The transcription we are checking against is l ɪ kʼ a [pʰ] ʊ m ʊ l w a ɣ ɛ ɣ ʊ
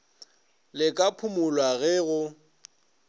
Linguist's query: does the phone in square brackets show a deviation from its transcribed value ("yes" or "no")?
no